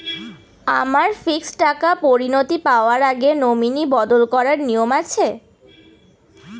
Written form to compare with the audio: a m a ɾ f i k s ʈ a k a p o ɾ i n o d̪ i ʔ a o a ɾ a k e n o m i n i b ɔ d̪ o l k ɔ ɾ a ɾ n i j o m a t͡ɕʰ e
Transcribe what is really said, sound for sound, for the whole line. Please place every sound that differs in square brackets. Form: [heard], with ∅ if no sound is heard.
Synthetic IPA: a m a ɾ f i k s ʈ a k a p o ɾ i n o [t̪] i [p] a o a ɾ a [ɡ] e n o m i n i b ɔ d̪ o l k ɔ ɾ a ɾ n i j o m a t͡ɕʰ e